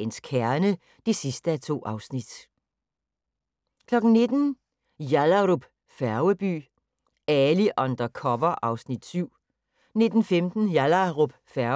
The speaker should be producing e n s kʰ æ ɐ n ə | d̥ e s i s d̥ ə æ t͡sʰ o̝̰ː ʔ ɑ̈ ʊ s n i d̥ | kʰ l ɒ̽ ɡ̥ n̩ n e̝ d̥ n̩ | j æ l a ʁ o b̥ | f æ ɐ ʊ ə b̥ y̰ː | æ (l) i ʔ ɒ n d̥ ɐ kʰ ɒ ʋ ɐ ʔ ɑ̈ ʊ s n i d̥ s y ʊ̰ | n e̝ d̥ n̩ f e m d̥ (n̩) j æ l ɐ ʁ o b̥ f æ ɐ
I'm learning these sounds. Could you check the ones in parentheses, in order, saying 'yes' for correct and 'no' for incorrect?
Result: yes, yes

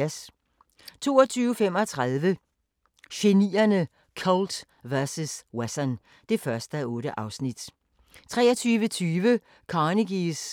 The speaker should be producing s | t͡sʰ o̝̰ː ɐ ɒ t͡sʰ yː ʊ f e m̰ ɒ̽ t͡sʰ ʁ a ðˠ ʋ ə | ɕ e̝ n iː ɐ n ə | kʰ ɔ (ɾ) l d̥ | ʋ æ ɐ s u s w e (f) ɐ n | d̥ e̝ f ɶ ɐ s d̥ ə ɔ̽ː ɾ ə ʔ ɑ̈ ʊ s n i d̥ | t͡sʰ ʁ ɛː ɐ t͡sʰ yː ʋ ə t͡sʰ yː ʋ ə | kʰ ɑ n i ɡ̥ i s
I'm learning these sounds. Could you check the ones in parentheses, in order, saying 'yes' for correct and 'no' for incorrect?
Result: no, no

